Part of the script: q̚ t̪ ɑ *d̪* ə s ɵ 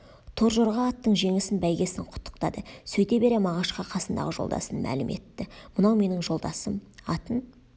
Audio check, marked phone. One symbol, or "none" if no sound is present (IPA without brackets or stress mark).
d̪